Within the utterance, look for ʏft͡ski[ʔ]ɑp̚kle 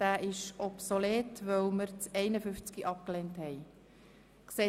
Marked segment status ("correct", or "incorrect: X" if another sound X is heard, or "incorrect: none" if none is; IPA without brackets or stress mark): correct